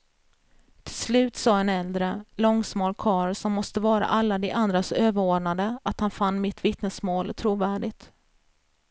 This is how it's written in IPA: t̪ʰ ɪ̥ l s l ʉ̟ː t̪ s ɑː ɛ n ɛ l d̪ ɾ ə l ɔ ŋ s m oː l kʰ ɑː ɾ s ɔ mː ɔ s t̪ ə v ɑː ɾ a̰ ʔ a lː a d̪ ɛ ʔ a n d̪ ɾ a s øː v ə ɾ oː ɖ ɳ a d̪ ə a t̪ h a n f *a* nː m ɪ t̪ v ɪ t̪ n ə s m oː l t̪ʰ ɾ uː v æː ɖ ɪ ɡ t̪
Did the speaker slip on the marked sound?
no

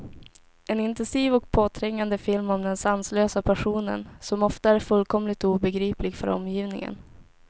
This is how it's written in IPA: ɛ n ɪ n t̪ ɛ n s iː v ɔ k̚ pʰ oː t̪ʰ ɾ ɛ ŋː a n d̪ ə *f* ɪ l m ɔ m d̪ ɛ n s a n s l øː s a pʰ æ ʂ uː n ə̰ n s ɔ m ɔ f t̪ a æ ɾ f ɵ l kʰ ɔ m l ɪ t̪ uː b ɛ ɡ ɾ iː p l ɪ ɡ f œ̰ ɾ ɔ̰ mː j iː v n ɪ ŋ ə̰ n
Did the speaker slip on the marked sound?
no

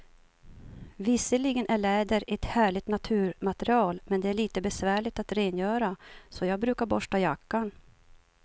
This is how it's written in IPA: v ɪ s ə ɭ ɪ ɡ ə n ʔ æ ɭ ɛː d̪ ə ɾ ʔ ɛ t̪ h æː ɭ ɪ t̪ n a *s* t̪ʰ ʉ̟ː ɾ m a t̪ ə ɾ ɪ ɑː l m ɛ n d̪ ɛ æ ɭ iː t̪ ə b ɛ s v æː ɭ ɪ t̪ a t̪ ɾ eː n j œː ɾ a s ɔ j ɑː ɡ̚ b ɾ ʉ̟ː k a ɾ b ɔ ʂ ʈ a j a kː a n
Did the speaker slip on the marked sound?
yes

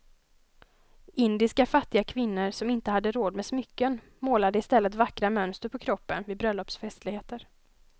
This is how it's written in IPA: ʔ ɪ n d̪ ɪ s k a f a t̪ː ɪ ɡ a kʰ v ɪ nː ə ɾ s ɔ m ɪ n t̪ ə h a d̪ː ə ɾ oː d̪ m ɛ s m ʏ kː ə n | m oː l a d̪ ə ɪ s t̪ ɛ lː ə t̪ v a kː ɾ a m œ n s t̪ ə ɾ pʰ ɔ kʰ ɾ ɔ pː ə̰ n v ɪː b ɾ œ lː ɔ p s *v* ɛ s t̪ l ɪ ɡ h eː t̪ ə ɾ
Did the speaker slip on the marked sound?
yes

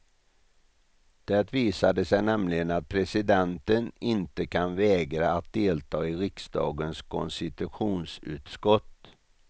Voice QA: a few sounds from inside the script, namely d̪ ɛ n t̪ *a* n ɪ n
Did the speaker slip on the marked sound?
yes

